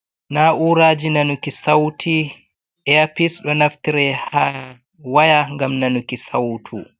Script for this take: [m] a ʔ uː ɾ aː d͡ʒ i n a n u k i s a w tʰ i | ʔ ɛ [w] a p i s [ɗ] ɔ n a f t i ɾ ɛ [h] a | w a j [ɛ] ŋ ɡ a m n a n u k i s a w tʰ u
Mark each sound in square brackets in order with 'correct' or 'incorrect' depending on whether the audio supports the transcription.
incorrect, incorrect, correct, correct, incorrect

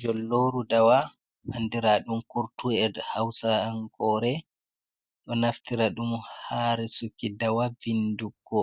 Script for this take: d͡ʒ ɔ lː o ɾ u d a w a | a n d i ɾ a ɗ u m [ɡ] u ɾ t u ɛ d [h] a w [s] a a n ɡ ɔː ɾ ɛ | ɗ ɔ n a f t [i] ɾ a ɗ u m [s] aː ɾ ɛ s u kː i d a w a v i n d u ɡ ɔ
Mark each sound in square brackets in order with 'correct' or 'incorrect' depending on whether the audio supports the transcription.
incorrect, correct, correct, correct, incorrect

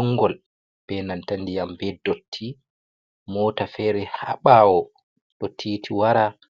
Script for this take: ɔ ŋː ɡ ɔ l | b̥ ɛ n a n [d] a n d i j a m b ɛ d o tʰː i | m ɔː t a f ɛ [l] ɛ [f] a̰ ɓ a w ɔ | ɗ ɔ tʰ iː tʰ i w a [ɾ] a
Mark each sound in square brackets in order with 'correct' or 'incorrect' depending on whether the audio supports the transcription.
incorrect, incorrect, incorrect, correct

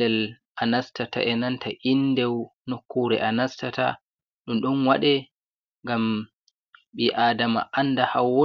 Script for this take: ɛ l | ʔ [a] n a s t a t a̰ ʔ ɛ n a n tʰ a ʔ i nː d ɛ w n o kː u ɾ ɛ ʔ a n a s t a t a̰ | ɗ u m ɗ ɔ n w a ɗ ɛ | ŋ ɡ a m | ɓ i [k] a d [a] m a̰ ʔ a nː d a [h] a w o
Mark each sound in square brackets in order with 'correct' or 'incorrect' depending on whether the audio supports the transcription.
correct, incorrect, correct, correct

